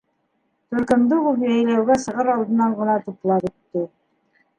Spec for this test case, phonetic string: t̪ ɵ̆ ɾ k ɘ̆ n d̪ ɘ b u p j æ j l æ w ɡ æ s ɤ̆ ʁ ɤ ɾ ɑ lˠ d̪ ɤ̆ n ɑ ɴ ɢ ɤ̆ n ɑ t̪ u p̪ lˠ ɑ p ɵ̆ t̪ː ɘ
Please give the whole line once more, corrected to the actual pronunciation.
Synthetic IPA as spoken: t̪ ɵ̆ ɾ k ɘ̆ m d̪ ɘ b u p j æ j l æ w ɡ æ s ɤ̆ ʁ ɤ ɾ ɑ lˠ d̪ ɤ̆ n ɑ ɴ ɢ ɤ̆ n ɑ t̪ u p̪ lˠ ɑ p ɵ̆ t̪ː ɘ